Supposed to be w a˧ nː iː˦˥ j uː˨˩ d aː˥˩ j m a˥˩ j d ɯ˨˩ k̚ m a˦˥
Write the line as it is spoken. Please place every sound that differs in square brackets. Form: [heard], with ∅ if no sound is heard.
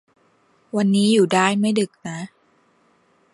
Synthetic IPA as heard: w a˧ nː iː˦˥ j uː˨˩ d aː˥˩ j m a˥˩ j d ɯ˨˩ k̚ [n] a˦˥